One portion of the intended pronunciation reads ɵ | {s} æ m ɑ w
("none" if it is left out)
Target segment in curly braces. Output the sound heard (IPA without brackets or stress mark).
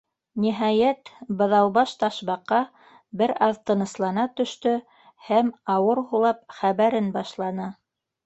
h